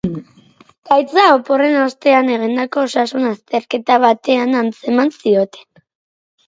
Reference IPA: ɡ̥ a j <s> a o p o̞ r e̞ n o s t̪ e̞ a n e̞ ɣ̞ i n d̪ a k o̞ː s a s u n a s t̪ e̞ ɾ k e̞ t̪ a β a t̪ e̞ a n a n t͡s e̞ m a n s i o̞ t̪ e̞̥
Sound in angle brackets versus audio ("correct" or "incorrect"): incorrect